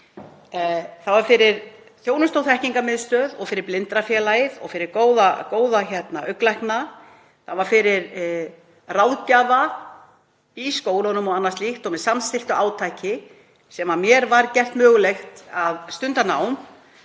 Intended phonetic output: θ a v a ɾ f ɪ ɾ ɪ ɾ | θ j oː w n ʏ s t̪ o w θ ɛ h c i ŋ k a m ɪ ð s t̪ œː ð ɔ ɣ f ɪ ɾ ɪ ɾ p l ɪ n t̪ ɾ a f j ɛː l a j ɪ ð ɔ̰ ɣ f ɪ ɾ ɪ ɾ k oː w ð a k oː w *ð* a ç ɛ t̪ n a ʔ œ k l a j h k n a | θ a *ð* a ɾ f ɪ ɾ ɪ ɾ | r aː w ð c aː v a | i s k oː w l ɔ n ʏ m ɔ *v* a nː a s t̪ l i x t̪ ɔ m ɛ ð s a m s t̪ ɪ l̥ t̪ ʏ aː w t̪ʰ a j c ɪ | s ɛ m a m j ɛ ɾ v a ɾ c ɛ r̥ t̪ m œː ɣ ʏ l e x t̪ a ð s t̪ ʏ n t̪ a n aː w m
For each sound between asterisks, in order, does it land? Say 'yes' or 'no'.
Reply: yes, no, no

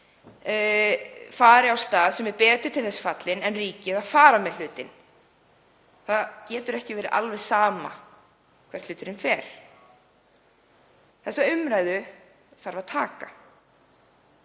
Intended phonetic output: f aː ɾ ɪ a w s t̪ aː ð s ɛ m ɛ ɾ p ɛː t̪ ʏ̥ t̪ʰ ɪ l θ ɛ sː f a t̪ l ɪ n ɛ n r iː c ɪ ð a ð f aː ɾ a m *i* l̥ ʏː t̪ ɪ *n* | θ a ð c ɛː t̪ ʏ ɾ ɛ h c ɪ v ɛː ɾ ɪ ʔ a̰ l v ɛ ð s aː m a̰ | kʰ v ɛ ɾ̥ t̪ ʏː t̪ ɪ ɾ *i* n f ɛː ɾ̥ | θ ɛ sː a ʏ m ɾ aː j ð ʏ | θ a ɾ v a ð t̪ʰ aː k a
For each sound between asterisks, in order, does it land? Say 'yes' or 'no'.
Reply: no, yes, no

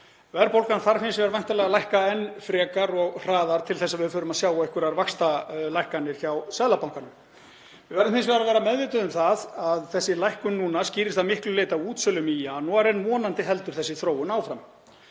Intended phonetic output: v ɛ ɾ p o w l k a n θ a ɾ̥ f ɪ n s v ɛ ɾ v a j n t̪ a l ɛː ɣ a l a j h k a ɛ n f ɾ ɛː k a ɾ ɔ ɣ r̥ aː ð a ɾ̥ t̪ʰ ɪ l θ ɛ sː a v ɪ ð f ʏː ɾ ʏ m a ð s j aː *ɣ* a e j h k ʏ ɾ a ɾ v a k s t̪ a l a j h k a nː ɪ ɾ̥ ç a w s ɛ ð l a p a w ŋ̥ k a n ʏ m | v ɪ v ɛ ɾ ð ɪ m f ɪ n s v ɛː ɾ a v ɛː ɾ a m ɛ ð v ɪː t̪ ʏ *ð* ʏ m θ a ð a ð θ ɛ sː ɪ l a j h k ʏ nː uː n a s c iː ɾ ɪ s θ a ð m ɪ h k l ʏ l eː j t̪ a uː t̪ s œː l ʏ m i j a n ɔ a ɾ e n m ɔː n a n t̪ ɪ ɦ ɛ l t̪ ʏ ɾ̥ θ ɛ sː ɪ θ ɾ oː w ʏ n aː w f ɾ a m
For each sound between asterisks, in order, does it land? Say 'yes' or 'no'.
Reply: no, yes

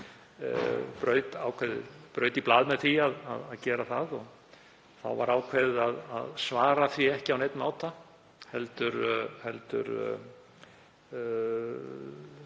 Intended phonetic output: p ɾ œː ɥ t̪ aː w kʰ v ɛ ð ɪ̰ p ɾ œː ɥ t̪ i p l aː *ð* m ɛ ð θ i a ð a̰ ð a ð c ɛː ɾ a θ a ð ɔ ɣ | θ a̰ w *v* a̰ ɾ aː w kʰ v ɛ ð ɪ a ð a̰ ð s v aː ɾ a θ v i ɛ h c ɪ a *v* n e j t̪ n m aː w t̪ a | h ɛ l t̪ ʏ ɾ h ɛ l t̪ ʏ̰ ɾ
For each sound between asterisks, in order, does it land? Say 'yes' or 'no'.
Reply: yes, yes, no

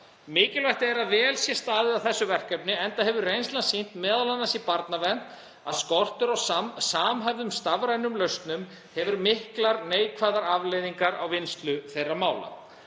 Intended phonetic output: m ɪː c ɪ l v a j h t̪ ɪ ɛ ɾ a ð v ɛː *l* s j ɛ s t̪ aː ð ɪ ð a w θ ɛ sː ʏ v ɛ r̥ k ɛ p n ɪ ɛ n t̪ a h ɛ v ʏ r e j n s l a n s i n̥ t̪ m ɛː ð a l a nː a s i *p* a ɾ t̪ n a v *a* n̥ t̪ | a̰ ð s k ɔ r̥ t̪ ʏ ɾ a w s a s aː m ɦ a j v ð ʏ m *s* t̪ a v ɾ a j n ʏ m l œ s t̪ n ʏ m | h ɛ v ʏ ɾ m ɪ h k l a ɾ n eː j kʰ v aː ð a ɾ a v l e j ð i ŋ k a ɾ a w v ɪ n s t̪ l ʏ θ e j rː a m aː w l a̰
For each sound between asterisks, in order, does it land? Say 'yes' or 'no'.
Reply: yes, yes, no, yes

